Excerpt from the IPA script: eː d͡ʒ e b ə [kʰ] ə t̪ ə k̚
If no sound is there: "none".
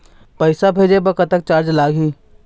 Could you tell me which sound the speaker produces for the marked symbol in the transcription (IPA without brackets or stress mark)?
k